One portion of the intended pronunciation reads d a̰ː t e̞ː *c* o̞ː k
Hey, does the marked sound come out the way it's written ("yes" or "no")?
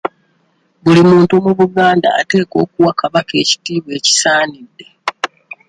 no